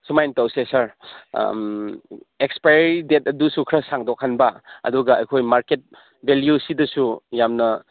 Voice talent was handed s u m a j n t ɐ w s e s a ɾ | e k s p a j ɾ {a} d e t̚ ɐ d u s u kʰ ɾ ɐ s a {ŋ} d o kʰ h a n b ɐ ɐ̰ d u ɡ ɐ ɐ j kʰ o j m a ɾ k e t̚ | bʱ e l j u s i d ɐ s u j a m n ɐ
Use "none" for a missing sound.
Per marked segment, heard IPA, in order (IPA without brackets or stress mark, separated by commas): i, ŋ